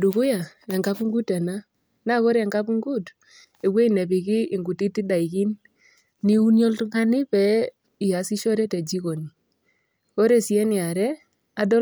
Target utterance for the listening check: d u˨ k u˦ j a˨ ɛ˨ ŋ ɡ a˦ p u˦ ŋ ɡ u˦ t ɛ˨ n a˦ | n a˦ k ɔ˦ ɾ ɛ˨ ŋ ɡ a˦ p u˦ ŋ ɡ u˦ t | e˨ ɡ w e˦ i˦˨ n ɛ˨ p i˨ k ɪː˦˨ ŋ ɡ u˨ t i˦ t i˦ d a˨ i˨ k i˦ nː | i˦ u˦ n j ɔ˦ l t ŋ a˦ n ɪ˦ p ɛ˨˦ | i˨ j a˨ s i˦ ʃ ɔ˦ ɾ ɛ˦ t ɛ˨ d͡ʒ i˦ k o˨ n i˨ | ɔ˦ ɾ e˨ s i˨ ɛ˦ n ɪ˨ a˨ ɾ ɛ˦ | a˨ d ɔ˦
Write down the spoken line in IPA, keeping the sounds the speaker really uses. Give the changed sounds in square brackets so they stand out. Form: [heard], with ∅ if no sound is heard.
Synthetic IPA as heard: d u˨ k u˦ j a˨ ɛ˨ ŋ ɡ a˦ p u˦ ŋ ɡ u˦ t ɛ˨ n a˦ | n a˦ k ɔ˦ ɾ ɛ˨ ŋ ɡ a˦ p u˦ ŋ ɡ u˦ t | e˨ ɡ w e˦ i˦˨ n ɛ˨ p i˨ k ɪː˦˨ ŋ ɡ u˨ t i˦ t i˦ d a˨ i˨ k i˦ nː | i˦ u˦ n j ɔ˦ l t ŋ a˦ n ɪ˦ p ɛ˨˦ | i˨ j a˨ s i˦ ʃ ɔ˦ ɾ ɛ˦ t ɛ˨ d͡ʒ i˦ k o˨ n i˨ | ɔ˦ ɾ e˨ s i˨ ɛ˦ n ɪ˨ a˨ ɾ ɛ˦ | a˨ d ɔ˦

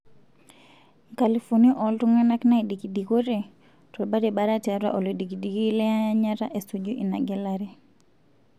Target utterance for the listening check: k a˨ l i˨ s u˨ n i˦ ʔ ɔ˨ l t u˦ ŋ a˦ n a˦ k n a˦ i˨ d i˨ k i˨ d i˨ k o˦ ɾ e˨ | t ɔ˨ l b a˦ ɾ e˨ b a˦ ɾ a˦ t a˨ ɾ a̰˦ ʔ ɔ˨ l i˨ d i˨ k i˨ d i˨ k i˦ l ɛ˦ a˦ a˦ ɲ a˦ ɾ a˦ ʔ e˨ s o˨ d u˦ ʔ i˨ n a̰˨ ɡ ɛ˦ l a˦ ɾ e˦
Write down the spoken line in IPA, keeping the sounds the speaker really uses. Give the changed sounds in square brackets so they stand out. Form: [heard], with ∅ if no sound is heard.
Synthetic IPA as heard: k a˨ l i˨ [f] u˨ n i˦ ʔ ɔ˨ l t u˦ ŋ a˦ n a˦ k n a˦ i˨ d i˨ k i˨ d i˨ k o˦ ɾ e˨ | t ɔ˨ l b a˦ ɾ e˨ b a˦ ɾ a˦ t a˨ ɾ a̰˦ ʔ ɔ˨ l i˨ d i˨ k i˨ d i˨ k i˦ l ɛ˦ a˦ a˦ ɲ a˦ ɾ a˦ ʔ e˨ s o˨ [d͡ʒ] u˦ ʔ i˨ n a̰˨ ɡ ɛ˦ l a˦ ɾ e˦

